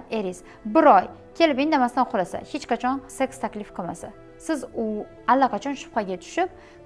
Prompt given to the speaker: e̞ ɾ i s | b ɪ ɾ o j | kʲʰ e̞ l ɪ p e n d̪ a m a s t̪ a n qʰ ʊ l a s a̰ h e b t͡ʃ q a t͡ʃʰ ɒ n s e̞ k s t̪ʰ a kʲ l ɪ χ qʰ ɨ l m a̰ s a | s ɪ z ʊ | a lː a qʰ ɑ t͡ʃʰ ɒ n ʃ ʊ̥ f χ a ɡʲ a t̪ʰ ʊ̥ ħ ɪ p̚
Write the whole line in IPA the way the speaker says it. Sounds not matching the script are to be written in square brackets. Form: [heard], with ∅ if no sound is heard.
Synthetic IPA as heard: e̞ ɾ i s | b ɪ ɾ [ɒ] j | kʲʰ e̞ l ɪ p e n d̪ a m a s t̪ a n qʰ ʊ l a s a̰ h e [∅] t͡ʃ q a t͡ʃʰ ɒ n s e̞ k s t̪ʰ a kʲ l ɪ [f] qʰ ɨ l m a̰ s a | s ɪ z ʊ | a lː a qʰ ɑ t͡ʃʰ ɒ n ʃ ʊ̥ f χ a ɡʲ a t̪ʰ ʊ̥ [ʃ] ɪ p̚